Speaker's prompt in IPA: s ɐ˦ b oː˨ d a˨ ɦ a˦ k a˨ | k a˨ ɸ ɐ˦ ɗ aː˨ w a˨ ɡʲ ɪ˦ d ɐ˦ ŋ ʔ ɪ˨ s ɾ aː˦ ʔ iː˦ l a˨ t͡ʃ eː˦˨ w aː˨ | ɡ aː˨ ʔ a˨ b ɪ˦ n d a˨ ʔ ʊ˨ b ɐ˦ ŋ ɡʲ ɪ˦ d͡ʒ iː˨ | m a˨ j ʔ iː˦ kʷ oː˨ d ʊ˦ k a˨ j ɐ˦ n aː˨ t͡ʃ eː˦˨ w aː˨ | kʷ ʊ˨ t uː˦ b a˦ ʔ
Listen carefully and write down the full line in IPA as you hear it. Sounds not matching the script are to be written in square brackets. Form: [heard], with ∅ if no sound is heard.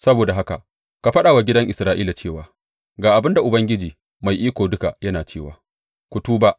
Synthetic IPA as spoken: s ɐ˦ b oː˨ d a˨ ɦ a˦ k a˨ | k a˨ ɸ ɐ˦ ɗ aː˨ w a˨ ɡʲ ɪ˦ d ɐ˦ ŋ ʔ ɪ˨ s ɾ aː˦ ʔ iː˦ l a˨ t͡ʃ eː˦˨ w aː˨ | ɡ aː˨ ʔ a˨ b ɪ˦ n d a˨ ʔ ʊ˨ b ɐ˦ ŋ ɡʲ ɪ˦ d͡ʒ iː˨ | m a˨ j ʔ iː˦ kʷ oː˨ d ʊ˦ k a˨ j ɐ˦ n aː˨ t͡ʃ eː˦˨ w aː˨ | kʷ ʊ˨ t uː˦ b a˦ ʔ

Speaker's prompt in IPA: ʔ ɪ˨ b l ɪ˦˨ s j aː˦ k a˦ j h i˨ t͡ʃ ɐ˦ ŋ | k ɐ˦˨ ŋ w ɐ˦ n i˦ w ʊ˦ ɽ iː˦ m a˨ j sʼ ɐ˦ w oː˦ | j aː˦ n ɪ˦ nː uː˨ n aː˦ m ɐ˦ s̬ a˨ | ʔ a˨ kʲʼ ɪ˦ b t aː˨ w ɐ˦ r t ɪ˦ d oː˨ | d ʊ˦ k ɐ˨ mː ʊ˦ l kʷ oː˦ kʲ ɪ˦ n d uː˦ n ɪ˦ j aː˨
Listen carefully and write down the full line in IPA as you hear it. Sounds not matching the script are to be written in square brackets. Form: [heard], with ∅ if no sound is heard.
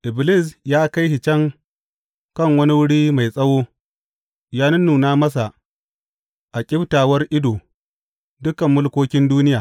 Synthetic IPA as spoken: ʔ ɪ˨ b l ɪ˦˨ s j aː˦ k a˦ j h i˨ t͡ʃ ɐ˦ ŋ | k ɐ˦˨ ŋ w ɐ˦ n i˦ w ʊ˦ ɽ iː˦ m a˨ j sʼ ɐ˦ w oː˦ | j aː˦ n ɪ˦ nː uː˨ n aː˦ m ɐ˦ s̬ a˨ | ʔ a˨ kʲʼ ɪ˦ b t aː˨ w ɐ˦ r [ʔ] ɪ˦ d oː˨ | d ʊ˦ k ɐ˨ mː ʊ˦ l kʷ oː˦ kʲ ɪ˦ n d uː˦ n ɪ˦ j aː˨

